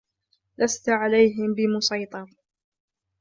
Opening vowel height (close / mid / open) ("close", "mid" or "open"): open